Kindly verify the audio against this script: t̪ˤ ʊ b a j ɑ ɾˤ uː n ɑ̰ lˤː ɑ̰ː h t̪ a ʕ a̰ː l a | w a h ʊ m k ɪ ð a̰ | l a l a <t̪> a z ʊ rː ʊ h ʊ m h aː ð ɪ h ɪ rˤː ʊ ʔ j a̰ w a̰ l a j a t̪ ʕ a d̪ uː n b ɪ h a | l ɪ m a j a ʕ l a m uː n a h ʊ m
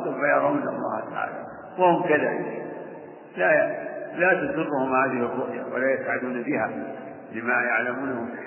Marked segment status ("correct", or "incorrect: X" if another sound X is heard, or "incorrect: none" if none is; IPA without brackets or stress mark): correct